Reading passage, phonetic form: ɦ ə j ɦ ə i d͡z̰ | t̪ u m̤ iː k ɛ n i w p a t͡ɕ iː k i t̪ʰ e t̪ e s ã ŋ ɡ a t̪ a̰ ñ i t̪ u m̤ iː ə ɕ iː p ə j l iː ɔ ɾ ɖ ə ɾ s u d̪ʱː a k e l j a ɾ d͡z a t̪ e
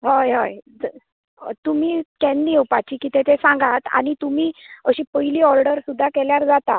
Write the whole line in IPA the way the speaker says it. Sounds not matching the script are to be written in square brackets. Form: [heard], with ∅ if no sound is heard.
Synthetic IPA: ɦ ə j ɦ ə [j] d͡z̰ | t̪ u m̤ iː k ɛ n i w p a t͡ɕ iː k i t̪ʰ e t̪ e s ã ŋ ɡ a t̪ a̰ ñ i t̪ u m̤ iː ə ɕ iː p ə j l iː ɔ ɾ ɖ ə ɾ s u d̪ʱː a k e l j a ɾ d͡z a t̪ [a]